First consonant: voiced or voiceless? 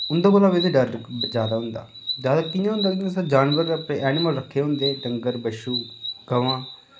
voiced